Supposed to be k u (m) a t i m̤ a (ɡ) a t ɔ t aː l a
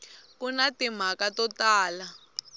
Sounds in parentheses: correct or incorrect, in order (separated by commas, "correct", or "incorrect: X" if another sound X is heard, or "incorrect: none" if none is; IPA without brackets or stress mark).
incorrect: n, incorrect: k